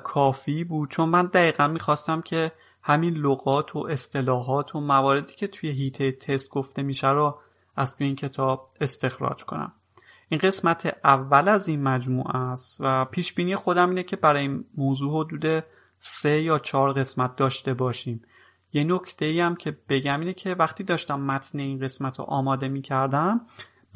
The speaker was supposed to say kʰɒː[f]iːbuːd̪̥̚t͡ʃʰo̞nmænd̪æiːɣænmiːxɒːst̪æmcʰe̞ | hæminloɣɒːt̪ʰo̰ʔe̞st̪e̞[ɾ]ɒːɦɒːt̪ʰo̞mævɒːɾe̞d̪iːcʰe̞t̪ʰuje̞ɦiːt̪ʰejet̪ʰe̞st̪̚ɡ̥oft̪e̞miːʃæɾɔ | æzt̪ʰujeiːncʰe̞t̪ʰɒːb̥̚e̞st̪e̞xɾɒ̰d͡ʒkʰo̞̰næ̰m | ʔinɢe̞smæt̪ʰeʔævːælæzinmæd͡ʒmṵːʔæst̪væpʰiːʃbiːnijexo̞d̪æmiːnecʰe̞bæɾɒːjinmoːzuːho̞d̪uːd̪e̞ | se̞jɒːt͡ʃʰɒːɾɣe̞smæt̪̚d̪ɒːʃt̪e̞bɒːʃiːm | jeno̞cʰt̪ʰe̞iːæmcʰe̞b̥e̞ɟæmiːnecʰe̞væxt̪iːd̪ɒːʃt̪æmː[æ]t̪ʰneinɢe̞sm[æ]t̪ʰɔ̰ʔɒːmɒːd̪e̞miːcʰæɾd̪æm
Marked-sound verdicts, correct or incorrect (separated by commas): correct, incorrect, correct, correct